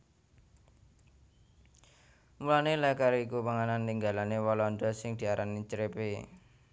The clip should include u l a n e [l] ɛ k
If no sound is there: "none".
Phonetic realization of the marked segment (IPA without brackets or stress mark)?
l